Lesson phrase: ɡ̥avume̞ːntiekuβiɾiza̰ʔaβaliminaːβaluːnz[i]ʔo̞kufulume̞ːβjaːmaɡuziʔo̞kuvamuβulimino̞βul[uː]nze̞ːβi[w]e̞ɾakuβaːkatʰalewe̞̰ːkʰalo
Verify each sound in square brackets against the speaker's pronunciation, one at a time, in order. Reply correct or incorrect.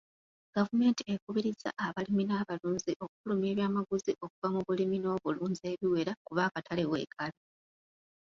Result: correct, correct, correct

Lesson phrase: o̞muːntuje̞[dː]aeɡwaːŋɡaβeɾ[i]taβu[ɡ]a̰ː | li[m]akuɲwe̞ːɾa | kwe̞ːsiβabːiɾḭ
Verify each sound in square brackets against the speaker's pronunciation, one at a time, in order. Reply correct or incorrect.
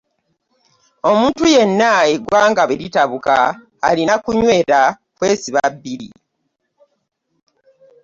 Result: incorrect, correct, incorrect, incorrect

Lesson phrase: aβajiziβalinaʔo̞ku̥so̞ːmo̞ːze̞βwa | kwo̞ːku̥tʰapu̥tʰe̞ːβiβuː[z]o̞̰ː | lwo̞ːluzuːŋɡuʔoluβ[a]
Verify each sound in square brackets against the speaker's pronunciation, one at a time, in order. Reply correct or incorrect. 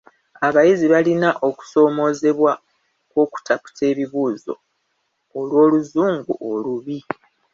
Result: correct, incorrect

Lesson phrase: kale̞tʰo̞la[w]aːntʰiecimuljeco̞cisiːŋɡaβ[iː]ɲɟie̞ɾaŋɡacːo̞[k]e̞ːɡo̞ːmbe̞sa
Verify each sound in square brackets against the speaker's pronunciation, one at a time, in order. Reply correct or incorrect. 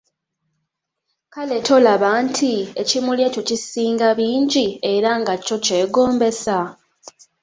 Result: incorrect, correct, incorrect

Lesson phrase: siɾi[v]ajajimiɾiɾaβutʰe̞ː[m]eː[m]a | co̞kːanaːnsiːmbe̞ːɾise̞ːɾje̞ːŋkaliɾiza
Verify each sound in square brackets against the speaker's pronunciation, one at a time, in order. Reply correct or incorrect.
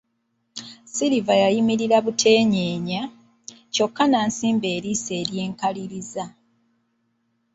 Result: correct, incorrect, incorrect

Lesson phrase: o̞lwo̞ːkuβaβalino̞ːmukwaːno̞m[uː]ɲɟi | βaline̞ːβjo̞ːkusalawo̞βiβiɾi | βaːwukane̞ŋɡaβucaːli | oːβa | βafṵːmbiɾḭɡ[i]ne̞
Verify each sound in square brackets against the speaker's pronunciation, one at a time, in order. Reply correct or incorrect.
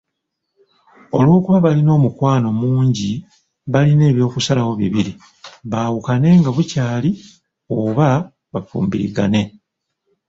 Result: correct, incorrect

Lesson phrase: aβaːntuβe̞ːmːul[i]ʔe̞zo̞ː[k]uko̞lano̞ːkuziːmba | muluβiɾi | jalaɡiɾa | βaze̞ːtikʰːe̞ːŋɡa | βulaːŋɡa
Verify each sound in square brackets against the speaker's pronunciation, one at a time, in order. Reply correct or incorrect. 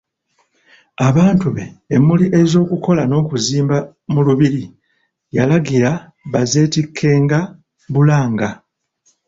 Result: correct, correct

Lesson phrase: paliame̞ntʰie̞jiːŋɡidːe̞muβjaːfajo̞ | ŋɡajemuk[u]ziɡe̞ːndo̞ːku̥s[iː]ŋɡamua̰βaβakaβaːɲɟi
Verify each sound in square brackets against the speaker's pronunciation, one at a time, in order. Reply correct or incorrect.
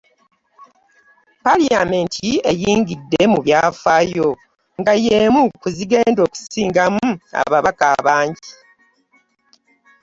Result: correct, correct

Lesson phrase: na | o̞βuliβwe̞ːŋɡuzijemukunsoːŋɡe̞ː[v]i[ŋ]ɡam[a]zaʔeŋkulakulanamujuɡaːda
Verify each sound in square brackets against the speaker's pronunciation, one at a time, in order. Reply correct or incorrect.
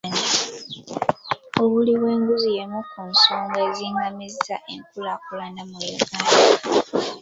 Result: incorrect, correct, incorrect

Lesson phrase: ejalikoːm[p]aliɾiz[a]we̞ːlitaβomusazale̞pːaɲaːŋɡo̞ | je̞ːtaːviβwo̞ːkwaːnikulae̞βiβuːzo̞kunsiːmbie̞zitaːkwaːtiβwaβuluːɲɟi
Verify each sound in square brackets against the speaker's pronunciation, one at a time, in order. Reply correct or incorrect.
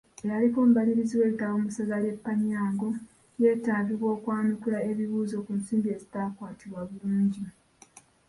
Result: incorrect, incorrect

